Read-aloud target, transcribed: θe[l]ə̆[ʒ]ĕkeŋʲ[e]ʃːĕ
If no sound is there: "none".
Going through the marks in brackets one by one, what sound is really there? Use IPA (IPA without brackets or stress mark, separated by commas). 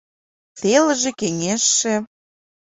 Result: l, ʒ, e